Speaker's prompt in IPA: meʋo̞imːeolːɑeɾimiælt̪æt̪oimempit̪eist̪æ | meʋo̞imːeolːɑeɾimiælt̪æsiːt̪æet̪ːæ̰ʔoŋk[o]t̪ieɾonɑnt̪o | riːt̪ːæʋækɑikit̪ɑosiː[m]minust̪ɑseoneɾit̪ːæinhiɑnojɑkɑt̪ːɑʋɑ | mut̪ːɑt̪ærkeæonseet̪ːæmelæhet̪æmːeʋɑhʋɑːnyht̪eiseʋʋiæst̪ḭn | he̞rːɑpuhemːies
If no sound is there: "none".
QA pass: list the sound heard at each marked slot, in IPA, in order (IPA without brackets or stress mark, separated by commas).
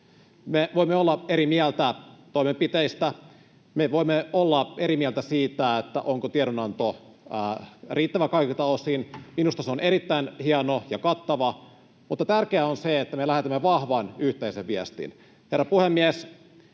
o, n